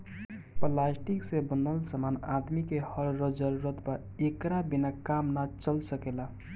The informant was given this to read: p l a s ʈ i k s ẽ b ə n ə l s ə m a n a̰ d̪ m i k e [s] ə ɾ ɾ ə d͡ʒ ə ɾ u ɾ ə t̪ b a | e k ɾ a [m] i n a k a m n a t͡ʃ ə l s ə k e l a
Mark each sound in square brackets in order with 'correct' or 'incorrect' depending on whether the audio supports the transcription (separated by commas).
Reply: incorrect, incorrect